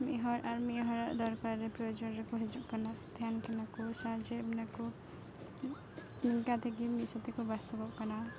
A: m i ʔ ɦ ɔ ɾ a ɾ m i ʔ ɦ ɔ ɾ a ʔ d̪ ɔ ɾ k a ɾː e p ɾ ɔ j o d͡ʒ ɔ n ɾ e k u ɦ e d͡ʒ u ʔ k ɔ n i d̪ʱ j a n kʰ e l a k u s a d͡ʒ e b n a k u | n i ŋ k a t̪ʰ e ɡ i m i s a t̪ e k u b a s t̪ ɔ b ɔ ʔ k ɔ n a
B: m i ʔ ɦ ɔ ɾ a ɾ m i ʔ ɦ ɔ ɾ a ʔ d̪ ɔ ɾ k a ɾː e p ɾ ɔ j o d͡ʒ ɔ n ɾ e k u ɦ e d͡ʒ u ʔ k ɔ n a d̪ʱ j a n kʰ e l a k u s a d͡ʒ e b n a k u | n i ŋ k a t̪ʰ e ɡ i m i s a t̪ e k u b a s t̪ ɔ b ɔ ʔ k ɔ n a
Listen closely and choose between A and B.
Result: B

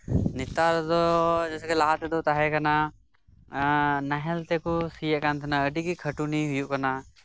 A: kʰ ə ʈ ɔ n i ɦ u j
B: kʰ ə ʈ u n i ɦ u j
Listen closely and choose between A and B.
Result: B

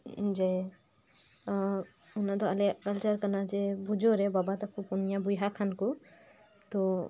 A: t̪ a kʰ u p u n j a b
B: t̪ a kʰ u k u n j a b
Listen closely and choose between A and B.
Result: A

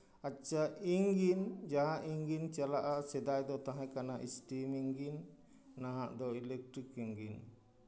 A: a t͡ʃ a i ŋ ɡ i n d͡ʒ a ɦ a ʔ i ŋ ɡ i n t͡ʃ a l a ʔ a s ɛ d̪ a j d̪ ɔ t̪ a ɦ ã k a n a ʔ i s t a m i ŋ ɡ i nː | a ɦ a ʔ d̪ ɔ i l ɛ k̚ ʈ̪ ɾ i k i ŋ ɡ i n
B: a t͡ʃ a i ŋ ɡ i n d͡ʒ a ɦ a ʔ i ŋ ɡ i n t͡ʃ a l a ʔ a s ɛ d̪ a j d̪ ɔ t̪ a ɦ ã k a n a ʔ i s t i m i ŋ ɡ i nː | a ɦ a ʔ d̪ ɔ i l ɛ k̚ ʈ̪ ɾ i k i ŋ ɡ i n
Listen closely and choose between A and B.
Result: B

